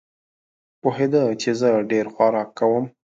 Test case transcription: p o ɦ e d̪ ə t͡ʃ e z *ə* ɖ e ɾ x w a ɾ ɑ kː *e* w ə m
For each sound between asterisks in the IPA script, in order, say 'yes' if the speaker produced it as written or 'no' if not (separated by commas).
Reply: yes, no